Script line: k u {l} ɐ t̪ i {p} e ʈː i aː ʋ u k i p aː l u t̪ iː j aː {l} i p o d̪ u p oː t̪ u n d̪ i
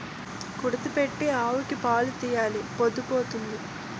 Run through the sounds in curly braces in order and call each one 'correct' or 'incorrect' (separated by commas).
incorrect, correct, correct